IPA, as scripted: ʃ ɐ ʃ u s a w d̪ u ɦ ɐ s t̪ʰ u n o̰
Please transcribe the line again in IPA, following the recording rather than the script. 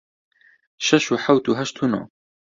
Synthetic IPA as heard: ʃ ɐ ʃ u ħ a w t̪ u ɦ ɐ ʃ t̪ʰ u n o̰